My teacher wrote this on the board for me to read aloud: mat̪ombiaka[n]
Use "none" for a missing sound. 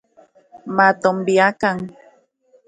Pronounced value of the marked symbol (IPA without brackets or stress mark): ŋ